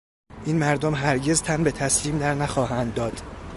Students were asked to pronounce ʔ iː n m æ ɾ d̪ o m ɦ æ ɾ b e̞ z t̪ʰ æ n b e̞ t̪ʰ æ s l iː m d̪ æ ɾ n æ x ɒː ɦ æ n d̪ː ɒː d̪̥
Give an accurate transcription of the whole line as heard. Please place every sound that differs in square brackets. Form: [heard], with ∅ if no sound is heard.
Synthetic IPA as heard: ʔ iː n m æ ɾ d̪ o m ɦ æ ɾ [ɟ] e̞ z t̪ʰ æ n b e̞ t̪ʰ æ s l iː m d̪ æ ɾ n æ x ɒː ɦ æ n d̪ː ɒː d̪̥